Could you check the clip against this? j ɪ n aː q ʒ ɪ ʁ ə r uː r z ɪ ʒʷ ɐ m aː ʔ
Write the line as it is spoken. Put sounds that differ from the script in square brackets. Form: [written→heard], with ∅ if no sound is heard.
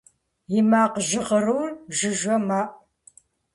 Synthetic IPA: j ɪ [n→m] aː q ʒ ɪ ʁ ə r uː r [z→ʒ] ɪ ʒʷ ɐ m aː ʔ